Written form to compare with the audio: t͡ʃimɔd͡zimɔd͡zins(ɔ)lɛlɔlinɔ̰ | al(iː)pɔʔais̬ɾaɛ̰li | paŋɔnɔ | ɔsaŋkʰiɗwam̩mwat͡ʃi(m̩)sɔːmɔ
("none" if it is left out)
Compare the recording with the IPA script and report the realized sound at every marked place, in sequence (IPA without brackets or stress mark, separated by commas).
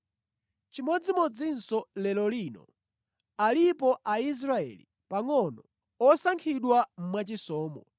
ɔ, i, none